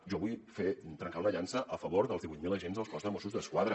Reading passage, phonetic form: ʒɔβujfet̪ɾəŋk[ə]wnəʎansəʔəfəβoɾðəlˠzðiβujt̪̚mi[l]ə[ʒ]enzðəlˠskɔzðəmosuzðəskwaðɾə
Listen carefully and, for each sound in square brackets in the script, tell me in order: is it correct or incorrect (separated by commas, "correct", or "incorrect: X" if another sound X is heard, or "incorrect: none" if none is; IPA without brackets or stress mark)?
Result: incorrect: a, correct, correct